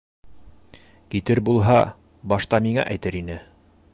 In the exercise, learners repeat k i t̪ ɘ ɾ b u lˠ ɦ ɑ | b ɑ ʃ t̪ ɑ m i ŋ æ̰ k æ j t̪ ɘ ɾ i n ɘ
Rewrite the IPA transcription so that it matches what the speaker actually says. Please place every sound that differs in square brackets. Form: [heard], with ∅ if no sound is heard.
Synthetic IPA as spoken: k i t̪ ɘ ɾ b u lˠ ɦ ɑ | b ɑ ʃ t̪ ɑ m i ŋ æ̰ [ʔ] æ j t̪ ɘ ɾ i n ɘ

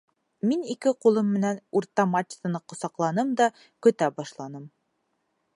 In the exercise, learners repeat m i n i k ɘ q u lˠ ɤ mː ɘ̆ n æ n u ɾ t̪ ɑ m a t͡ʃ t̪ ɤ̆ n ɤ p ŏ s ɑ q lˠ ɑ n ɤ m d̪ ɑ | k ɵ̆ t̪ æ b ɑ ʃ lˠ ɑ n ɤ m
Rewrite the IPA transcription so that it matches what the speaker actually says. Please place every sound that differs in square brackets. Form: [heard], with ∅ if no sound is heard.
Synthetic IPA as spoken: m i n i k ɘ q u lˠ ɤ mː ɘ̆ n æ n u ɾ t̪ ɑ m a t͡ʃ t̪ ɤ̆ n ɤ [q] ŏ s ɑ q lˠ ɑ n ɤ m d̪ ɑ | k ɵ̆ t̪ æ b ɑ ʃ lˠ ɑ n ɤ m

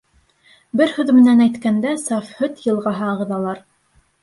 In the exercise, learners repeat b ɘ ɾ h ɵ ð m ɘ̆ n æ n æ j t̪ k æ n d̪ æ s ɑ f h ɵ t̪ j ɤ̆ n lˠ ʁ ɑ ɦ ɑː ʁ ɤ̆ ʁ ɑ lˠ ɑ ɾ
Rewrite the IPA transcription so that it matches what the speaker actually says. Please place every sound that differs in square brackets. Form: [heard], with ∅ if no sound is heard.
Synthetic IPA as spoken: b ɘ ɾ h ɵ ð m ɘ̆ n æ n æ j t̪ k æ n d̪ æ s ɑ f h ɵ t̪ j ɤ̆ [∅] lˠ ʁ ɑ ɦ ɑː ʁ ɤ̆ [ð] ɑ lˠ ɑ ɾ

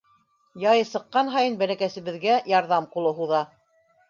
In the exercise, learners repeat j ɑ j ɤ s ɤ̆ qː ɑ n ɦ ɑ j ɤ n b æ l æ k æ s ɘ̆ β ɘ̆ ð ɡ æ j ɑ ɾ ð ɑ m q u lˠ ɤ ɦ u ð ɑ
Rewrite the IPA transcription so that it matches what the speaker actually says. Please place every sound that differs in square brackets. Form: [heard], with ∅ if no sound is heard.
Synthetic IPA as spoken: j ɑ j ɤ s ɤ̆ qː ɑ n ɦ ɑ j ɤ n b æ l æ k æ s ɘ̆ β ɘ̆ ð ɡ æ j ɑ ɾ ð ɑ m q u lˠ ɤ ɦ u ð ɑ

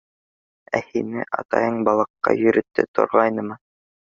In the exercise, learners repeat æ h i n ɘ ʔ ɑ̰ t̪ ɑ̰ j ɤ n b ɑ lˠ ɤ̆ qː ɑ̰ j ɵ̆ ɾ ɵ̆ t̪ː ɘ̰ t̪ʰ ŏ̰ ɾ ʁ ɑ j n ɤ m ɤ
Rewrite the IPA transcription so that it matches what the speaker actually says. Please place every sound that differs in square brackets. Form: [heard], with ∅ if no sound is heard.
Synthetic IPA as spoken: æ h i n ɘ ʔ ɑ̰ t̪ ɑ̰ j ɤ [ɴ] b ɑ lˠ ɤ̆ qː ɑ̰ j ɵ̆ ɾ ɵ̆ t̪ː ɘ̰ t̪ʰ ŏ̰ ɾ ʁ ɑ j n ɤ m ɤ

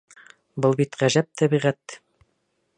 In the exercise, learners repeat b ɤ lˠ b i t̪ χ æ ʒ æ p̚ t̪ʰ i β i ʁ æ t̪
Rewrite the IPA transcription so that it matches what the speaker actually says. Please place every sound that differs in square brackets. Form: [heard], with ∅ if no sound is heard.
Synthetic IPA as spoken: b ɤ lˠ b i t̪ [ʁ] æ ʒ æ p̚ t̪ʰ [æ] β i ʁ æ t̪

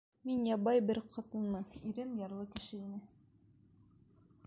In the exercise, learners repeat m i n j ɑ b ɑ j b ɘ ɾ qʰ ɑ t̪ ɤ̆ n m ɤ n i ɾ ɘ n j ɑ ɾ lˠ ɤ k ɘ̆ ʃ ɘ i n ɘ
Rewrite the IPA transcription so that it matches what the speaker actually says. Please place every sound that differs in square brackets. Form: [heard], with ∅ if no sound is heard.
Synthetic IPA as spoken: m i n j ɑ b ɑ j b ɘ ɾ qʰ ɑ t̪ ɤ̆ n m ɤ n i ɾ ɘ [m] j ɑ ɾ lˠ ɤ k ɘ̆ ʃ ɘ i n ɘ

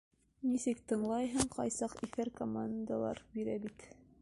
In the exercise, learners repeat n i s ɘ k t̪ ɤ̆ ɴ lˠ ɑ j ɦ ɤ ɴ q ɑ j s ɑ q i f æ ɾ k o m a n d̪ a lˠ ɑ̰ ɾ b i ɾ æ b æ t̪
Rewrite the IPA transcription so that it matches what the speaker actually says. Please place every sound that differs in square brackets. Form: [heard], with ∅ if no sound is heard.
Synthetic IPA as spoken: n i s ɘ k t̪ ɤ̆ ɴ lˠ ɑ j ɦ ɤ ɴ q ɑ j s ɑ q i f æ ɾ k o m a n d̪ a lˠ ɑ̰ ɾ b i ɾ æ b [i] t̪

